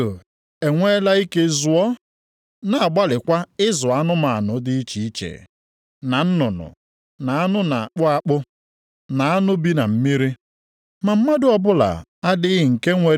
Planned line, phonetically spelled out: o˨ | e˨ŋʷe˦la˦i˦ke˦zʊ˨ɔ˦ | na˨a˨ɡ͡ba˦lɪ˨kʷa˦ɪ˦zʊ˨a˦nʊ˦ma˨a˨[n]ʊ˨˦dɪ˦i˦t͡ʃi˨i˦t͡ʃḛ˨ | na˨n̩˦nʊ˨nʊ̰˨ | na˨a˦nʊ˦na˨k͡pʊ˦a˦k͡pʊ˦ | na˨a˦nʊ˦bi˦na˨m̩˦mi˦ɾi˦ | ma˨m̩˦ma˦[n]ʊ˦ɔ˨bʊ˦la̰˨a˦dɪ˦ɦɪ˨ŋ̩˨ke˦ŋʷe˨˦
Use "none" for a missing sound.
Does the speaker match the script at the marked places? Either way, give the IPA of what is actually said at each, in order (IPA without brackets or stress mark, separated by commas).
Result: n, d